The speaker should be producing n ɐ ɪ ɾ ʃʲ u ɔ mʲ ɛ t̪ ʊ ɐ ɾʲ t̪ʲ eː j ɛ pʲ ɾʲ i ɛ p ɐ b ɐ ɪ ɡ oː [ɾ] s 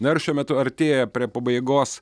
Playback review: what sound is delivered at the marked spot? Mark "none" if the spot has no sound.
none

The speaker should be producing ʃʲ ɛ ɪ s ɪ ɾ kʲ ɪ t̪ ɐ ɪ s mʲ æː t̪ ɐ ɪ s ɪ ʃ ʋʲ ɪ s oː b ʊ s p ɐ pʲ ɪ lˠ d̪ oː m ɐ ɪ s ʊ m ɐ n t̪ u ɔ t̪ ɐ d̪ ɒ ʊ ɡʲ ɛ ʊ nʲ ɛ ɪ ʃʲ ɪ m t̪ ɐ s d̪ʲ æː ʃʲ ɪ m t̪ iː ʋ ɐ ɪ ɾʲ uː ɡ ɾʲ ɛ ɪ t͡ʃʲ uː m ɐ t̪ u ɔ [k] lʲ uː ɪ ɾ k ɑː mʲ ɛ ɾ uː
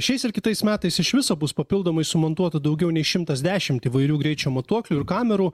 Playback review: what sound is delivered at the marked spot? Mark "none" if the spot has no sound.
k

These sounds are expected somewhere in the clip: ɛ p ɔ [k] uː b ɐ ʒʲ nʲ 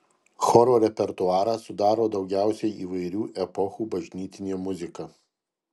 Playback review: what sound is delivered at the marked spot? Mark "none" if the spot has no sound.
x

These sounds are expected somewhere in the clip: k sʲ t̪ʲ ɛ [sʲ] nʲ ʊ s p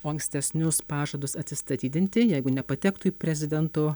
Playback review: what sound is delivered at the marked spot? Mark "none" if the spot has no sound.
sʲ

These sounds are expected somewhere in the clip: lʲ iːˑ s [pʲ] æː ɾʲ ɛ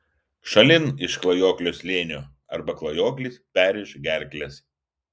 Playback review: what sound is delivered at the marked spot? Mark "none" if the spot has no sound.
pʲ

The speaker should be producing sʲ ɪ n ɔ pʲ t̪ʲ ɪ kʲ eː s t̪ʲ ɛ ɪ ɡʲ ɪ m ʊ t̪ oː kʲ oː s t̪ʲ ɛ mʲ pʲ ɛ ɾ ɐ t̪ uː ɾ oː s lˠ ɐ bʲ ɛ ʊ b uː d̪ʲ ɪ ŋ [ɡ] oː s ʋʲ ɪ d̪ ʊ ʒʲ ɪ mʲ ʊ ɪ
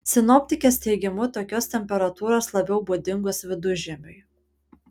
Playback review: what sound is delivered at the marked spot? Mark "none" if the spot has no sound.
ɡ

